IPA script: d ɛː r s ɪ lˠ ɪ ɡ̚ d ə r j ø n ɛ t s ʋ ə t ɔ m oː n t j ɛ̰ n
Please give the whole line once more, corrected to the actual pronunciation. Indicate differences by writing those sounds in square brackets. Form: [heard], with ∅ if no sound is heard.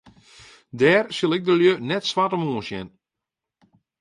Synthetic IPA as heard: d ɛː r s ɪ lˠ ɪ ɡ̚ d ə [l] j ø n ɛ t s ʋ [a] t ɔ m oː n [s] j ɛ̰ n